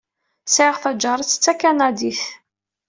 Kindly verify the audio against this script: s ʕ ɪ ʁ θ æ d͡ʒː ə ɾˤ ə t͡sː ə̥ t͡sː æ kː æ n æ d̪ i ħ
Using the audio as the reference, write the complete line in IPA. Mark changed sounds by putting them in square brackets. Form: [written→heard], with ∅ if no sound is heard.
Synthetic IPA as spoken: s ʕ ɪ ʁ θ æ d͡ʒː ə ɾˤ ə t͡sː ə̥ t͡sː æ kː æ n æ d̪ i [ħ→θ]